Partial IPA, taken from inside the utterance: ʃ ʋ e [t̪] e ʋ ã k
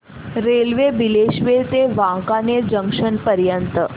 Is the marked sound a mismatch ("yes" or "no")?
no